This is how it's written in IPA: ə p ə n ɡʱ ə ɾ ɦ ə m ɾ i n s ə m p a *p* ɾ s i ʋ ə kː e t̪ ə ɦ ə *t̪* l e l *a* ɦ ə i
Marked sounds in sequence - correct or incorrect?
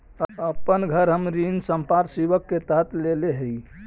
incorrect, correct, incorrect

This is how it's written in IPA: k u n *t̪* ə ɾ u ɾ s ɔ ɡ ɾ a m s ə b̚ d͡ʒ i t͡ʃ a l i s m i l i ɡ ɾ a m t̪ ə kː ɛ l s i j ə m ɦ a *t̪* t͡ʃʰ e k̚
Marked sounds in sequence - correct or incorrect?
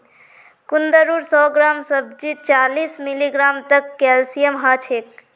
incorrect, incorrect

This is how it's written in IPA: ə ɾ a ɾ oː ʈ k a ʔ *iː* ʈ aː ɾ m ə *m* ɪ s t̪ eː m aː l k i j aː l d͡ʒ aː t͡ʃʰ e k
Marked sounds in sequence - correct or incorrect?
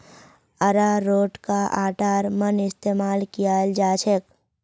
incorrect, incorrect

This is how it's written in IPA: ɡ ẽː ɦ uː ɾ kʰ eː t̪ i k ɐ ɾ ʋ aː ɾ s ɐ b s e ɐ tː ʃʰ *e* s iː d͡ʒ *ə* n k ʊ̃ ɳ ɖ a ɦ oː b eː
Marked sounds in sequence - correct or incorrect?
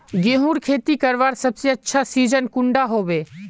incorrect, correct

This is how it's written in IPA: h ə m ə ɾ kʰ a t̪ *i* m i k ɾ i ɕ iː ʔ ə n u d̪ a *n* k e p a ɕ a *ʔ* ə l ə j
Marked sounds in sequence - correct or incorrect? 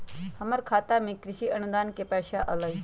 incorrect, correct, correct

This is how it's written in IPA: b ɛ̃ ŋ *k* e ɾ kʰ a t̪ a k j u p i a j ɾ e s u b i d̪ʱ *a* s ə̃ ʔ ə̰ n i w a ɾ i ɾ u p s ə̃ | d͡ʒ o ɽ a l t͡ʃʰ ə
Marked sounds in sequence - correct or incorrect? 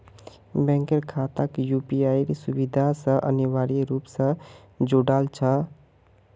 correct, correct

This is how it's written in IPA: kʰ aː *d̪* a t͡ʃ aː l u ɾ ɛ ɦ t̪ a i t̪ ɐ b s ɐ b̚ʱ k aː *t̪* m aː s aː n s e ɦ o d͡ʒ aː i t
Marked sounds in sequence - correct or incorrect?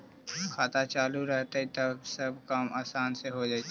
incorrect, incorrect

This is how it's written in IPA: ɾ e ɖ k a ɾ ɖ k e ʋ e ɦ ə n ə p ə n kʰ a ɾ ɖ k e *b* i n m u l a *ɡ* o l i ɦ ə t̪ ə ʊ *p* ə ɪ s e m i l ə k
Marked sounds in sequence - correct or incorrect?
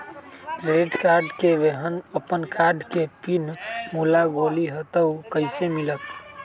incorrect, correct, incorrect

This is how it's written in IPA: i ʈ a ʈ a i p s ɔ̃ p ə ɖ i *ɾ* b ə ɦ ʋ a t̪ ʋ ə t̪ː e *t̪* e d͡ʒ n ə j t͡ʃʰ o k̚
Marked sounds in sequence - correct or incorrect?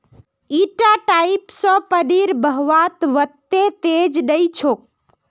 correct, correct

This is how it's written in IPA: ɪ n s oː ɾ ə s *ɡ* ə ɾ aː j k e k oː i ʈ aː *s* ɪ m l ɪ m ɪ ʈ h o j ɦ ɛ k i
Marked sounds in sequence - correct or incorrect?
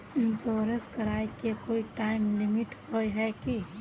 incorrect, incorrect

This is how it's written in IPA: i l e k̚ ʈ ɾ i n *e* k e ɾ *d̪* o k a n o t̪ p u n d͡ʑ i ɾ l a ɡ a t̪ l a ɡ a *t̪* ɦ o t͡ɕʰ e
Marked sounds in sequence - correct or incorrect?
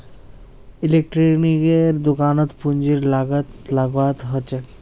incorrect, correct, correct

